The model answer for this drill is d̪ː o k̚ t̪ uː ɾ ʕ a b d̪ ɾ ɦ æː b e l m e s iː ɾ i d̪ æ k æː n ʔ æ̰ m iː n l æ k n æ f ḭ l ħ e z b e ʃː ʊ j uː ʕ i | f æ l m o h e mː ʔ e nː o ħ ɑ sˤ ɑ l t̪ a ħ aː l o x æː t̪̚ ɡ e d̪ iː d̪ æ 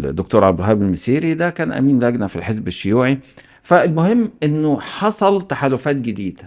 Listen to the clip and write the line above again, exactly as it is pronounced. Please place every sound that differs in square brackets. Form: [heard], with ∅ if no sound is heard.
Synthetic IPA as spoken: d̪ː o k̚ t̪ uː ɾ ʕ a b d̪ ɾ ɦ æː b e l m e s iː ɾ i d̪ æ k æː n ʔ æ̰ m iː n l æ [ɡ] n æ f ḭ l ħ e z b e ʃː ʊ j uː ʕ i | f æ l m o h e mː ʔ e nː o ħ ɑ sˤ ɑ l t̪ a ħ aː l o [f] æː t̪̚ ɡ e d̪ iː d̪ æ